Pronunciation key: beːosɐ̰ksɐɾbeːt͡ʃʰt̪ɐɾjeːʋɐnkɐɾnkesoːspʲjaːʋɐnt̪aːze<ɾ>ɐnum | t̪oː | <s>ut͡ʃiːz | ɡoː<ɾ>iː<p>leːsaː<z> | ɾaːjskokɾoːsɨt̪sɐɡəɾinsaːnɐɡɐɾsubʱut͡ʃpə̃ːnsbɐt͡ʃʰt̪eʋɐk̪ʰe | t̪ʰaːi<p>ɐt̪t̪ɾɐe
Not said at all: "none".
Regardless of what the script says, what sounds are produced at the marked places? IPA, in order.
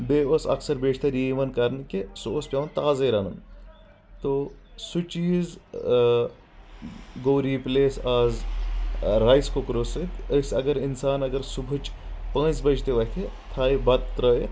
ɾ, s, ɾ, p, z, b

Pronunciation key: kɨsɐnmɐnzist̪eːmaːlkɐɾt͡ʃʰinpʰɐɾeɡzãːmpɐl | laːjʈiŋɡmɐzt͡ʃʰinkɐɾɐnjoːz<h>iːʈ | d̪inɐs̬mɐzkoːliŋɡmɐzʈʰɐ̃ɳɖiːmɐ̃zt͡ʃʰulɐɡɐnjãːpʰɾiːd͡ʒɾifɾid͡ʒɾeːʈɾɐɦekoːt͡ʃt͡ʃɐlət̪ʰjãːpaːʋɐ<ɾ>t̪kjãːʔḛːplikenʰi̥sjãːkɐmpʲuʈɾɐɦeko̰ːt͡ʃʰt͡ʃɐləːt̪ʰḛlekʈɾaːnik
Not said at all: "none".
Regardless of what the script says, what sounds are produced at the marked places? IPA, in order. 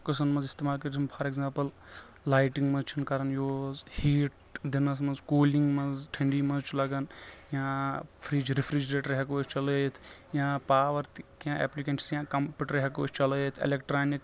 h, ɾ

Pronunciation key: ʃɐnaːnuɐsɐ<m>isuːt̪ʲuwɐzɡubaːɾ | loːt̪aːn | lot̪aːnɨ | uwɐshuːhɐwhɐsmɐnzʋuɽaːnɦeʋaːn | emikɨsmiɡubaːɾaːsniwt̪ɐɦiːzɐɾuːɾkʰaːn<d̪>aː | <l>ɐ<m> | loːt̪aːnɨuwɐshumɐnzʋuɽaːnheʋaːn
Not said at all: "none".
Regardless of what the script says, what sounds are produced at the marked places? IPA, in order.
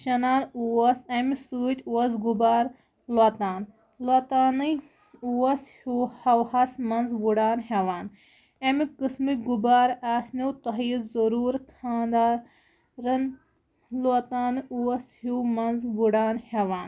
m, d̪, ɾ, n

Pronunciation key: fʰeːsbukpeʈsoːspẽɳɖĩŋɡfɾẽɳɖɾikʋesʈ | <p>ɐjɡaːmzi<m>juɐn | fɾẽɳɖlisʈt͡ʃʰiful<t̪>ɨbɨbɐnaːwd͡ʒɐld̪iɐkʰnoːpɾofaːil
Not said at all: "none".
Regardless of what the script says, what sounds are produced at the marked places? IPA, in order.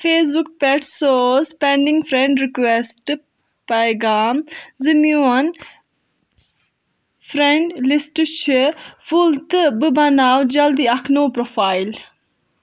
p, m, t̪

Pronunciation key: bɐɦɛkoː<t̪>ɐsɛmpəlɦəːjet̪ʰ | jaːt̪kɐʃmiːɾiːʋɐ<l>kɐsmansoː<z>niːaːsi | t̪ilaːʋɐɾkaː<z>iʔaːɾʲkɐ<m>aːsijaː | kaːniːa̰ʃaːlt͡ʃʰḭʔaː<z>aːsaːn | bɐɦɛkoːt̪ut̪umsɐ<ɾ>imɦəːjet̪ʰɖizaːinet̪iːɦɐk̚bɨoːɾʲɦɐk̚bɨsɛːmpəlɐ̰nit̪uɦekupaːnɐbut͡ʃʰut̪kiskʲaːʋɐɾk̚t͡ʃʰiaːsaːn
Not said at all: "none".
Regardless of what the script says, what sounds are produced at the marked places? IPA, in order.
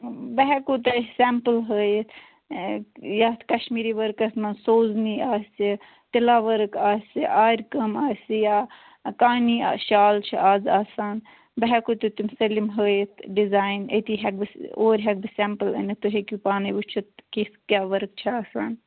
t̪, ɾ, z, s, m, z, l

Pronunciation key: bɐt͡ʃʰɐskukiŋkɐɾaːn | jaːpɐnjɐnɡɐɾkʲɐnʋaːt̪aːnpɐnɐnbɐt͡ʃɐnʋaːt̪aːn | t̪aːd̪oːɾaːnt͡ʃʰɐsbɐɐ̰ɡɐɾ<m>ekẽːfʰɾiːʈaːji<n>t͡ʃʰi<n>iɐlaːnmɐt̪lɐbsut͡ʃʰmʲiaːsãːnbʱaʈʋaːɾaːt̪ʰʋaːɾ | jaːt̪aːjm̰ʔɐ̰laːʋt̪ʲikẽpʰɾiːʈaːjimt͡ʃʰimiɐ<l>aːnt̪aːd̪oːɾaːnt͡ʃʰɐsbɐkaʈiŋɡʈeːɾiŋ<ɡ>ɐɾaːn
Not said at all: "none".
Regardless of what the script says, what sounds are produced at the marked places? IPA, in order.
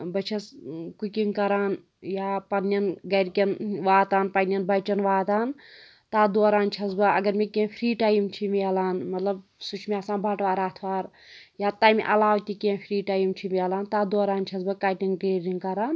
m, m, m, l, k

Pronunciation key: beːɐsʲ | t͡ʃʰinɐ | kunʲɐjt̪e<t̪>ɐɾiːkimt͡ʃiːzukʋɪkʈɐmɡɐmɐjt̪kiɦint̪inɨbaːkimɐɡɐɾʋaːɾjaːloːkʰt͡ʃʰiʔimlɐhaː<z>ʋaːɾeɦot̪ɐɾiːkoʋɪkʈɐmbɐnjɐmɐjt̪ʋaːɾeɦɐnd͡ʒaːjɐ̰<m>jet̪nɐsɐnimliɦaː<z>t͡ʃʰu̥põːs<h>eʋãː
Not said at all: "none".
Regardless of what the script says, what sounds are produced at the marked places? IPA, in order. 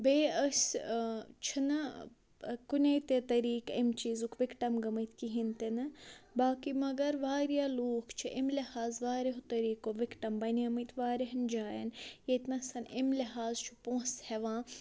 t̪, z, n, z, h

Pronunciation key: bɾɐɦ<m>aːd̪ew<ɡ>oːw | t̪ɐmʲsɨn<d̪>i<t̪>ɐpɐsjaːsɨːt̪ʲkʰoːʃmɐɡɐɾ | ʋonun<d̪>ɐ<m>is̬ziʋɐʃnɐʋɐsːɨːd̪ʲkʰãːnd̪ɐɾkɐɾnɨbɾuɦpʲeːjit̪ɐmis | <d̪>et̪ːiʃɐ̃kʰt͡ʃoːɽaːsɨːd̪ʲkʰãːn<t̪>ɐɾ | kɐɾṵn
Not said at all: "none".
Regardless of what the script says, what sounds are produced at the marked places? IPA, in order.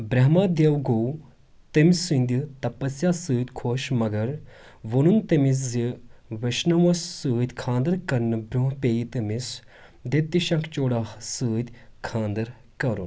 m, ɡ, d̪, t̪, t̪, m, d̪, d̪

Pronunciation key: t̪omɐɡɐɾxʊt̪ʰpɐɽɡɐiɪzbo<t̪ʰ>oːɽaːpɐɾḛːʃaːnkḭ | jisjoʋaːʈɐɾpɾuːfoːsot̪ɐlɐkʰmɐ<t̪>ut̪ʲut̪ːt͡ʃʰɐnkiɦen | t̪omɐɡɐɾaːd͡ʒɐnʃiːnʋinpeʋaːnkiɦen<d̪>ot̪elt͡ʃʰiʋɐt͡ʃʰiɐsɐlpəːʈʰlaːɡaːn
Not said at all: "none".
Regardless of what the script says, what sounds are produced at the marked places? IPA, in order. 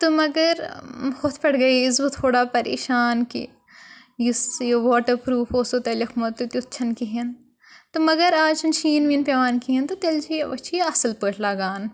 t̪ʰ, t̪, t̪

